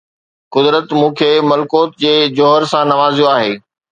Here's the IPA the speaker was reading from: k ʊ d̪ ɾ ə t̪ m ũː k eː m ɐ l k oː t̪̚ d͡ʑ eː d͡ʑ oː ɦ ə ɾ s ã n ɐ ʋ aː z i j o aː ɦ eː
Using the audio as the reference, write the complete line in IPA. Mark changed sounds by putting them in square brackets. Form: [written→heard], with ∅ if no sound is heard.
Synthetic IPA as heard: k ʊ d̪ ɾ ə t̪ m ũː [k→kʰ] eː m ɐ l k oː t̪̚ d͡ʑ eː d͡ʑ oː ɦ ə ɾ s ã n ɐ ʋ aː z i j o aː ɦ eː